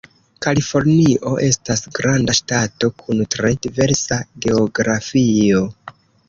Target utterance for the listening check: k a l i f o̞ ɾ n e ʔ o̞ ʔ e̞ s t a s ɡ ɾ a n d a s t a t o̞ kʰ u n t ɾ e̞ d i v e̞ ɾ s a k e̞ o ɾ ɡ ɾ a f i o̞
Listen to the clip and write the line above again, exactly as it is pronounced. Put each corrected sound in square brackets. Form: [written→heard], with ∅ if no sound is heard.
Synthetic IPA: k a l i f o̞ ɾ n [e→i] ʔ o̞ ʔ e̞ s t a s ɡ ɾ a n d a [s→ʃ] t a t o̞ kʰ u n t ɾ e̞ d i v e̞ ɾ s a [k→ɡ] e̞ o [ɾ→∅] ɡ ɾ a f i o̞